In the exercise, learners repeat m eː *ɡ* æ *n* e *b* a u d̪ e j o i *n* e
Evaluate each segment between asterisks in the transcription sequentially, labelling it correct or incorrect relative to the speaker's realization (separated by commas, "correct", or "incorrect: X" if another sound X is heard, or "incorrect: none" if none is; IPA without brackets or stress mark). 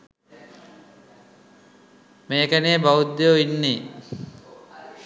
incorrect: k, correct, correct, incorrect: nː